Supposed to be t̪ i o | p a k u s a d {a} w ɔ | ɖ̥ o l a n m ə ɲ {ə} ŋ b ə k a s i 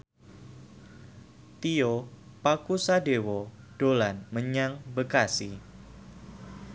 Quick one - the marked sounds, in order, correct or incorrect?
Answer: incorrect: e, incorrect: a

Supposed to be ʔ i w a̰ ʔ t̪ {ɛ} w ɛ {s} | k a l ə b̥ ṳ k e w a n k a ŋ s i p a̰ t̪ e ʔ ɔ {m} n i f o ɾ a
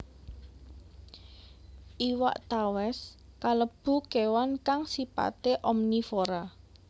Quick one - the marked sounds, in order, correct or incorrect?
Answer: incorrect: a, correct, correct

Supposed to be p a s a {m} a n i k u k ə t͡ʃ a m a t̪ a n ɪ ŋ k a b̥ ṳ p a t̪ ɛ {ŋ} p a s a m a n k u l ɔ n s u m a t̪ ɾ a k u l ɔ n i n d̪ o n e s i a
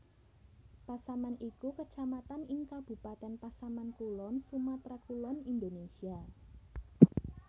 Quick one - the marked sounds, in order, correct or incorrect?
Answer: correct, incorrect: n

